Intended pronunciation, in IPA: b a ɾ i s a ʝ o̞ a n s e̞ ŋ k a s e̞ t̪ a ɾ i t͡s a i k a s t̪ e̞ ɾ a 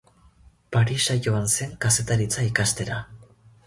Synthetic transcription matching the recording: p a ɾ i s a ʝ o̞ a n s e̞ ŋ k a s e̞ t̪ a ɾ i t͡s a i k a s t̪ e̞ ɾ a